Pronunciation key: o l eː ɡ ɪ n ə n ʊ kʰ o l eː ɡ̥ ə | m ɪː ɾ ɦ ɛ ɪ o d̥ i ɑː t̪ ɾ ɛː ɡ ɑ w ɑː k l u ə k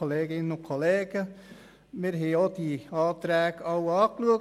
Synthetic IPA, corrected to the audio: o l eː ɡ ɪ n ə n ʊ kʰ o l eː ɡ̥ ə | m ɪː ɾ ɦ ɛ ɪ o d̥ i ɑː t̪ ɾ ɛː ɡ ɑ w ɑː k l u ə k